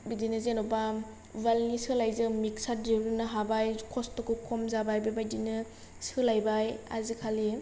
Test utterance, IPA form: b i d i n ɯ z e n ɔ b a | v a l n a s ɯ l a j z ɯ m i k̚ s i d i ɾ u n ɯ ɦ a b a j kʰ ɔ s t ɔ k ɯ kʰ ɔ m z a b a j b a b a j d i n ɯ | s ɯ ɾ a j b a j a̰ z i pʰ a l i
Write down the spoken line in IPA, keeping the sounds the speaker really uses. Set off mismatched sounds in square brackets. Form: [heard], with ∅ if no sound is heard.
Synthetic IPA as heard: b i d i n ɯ z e n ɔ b a | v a l n [i] s ɯ l a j z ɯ m i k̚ s [a] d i ɾ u n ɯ ɦ a b a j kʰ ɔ s t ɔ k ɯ kʰ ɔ m z a b a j b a b a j d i n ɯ | s ɯ [l] a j b a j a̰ z i [kʰ] a l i